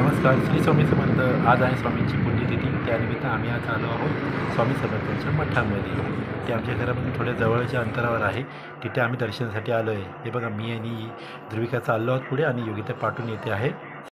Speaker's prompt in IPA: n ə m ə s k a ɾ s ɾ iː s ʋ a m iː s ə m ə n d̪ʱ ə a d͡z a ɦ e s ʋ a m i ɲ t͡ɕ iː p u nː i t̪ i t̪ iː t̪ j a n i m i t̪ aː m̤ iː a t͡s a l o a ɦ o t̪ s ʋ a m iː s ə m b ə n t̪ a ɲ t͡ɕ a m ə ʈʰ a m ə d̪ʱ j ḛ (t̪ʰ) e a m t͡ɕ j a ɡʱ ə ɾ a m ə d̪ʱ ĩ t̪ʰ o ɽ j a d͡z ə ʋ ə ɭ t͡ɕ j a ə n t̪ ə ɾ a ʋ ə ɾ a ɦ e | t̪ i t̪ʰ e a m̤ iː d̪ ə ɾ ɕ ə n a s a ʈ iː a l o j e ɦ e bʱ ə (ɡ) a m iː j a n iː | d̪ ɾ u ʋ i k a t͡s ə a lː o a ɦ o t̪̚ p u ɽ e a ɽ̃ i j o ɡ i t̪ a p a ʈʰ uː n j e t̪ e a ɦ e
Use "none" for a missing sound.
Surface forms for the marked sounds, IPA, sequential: t̪, ɡ

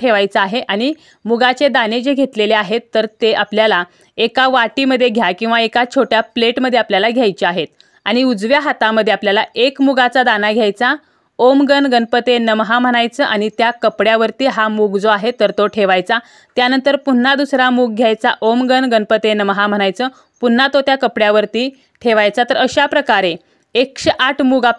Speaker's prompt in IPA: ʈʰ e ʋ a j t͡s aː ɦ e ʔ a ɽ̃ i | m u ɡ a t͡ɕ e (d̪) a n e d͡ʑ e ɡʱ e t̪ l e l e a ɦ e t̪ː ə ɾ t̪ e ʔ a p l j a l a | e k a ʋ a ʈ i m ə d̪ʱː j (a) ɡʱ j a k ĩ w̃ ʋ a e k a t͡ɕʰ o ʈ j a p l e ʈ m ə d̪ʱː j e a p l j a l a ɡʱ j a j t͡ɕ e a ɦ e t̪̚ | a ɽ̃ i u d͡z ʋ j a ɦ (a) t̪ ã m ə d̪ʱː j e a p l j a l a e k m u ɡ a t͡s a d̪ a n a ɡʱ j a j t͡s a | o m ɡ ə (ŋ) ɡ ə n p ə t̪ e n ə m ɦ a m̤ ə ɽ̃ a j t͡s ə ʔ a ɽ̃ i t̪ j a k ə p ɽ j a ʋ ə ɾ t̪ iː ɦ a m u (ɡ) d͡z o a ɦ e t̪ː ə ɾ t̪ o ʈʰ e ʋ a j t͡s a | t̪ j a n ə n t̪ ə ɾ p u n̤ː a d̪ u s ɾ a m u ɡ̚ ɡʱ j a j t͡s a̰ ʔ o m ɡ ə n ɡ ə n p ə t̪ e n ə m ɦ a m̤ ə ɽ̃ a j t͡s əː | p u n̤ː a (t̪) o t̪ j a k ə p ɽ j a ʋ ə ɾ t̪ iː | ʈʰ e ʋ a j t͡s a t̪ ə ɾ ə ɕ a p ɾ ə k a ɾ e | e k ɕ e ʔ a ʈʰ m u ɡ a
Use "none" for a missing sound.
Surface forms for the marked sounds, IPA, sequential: d̪, e, a, n, ɡ, t̪

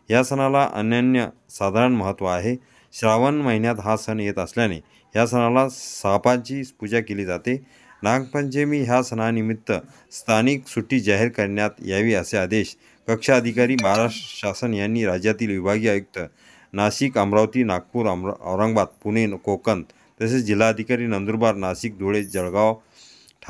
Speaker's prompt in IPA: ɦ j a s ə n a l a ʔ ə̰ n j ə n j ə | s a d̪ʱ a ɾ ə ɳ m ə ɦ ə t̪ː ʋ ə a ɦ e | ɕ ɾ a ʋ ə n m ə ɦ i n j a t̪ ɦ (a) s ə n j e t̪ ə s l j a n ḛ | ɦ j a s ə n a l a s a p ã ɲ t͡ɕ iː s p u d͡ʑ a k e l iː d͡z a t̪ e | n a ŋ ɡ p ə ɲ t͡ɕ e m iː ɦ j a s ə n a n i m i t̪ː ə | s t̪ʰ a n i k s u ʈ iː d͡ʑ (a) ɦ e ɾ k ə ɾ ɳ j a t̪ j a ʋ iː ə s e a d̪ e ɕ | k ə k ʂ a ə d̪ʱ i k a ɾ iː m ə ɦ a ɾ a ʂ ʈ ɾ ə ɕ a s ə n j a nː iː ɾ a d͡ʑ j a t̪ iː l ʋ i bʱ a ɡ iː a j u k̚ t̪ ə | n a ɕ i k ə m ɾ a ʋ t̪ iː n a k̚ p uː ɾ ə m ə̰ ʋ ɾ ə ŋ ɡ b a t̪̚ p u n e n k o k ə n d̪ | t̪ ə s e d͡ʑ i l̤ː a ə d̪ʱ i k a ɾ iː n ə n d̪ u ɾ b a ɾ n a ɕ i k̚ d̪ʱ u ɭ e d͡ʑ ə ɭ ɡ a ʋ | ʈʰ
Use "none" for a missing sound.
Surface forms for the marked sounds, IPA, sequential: a, a

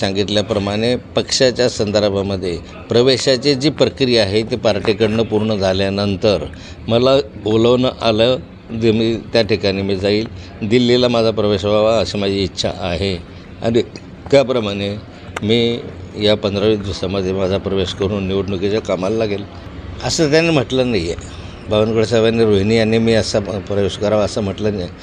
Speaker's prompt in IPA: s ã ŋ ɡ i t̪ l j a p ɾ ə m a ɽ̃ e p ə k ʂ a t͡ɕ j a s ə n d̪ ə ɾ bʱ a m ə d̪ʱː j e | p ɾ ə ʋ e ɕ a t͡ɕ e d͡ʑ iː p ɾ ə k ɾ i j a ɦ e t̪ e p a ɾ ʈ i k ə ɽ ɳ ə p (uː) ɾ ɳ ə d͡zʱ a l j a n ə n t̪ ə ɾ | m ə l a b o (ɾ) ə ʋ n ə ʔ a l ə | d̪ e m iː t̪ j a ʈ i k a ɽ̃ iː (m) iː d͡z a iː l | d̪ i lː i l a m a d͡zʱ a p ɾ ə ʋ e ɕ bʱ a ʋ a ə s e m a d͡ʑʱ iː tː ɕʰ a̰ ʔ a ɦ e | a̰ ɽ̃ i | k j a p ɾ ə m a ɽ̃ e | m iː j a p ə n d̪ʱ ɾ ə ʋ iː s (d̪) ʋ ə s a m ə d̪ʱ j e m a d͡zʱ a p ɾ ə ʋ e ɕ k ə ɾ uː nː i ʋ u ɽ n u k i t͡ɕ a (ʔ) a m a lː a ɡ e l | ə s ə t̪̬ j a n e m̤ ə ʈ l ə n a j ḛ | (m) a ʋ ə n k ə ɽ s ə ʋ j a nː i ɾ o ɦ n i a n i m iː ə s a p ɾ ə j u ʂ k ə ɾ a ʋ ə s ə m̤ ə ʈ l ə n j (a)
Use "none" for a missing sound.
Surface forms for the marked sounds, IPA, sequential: u, l, m, d̪, k, b, e

